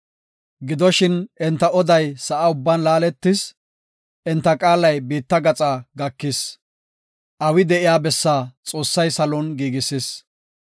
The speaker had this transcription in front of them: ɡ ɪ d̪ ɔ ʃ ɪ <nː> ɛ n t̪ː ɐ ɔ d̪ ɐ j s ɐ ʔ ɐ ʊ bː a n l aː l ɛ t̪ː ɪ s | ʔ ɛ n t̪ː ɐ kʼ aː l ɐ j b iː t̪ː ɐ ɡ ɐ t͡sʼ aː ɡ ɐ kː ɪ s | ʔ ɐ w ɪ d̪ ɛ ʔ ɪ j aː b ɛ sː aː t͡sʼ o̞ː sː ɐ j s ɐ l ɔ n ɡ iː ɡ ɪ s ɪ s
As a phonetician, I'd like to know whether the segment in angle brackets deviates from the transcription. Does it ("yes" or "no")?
yes